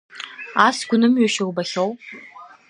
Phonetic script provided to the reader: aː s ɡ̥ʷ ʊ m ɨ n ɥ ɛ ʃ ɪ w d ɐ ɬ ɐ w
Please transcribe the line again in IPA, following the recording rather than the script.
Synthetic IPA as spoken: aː s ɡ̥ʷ ʊ n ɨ m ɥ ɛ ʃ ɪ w b ɐ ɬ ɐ w

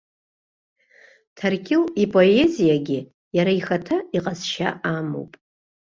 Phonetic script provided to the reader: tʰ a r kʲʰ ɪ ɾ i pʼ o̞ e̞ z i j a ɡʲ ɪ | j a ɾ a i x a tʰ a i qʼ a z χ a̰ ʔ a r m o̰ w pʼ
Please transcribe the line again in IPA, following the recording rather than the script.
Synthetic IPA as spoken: tʰ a r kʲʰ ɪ l i pʼ o̞ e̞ z i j a ɡʲ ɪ | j a ɾ a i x a tʰ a i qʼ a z ʃ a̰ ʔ a m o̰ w pʼ

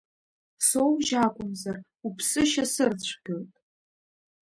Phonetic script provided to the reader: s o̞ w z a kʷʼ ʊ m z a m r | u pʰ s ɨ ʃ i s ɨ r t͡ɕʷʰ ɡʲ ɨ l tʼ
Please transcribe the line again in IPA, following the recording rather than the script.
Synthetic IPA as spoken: s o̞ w ʒ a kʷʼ ʊ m z a r | u pʰ s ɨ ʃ a s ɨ r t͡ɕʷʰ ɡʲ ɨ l tʼ

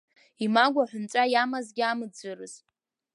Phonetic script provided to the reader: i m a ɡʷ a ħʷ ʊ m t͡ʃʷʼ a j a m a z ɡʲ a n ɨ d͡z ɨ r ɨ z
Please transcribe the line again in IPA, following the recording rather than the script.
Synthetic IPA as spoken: i m a ɡʷ a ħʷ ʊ n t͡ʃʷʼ a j a m a z ɡʲ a m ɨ d͡z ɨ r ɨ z

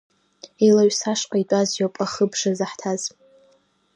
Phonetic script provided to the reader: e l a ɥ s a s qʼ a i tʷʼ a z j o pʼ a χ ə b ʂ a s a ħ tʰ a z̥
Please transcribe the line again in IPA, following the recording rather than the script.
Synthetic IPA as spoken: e l a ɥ s a ʂ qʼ a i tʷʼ a z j o pʼ a χ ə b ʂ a z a ħ tʰ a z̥

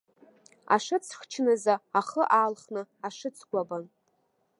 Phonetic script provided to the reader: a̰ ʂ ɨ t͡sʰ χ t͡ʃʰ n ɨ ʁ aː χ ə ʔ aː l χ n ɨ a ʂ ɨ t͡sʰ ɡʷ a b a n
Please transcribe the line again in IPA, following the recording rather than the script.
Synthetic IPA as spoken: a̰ ʂ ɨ t͡sʰ χ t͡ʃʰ n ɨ z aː χ ə ʔ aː l χ n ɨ a ʂ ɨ t͡sʰ ɡʷ a b a n

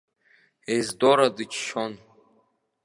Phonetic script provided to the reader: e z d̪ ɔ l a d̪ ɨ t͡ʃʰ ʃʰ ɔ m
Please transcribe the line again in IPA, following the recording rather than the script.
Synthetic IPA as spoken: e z d̪ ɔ ɾ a d̪ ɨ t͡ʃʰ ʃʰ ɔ n

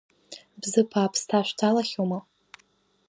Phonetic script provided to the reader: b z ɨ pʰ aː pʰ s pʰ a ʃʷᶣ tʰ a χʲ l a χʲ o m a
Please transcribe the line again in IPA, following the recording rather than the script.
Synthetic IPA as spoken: b z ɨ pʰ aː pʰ s tʰ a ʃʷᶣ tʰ a l a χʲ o m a

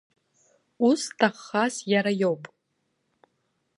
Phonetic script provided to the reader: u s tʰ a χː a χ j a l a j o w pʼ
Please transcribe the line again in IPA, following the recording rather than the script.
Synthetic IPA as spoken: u s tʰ a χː a s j a ɾ a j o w pʼ

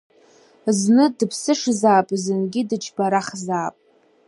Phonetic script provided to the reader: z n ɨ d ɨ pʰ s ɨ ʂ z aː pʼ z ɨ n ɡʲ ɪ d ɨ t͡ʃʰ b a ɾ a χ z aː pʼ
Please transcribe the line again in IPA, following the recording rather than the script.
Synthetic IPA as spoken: z n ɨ d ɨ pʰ s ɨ ʂ z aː pʼ z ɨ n ɡʲ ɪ d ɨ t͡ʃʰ b a ɾ a χ z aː pʼ

